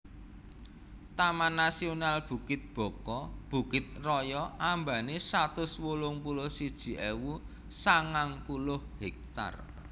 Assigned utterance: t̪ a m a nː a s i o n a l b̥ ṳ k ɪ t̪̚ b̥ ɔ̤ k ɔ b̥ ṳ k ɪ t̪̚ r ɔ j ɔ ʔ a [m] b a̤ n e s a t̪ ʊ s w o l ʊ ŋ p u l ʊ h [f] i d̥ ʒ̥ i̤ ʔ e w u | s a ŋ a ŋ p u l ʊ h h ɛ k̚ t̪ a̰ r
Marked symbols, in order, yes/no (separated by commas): yes, no